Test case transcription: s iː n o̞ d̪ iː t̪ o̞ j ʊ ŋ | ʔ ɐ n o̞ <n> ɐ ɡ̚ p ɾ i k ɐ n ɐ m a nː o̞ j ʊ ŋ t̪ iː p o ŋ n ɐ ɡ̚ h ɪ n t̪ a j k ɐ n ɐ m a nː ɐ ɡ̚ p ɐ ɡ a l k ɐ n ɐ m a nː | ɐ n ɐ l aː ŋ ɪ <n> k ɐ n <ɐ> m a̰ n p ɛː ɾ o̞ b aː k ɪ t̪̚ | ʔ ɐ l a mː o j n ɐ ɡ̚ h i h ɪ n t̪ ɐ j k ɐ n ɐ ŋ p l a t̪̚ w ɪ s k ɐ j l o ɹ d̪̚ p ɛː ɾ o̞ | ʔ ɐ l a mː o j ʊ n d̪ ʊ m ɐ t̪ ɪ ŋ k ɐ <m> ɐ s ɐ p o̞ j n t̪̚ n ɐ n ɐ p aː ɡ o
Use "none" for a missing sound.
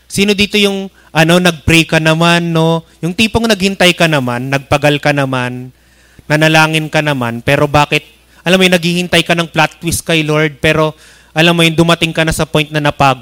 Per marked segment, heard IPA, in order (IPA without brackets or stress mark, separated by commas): n, n, ɐ, n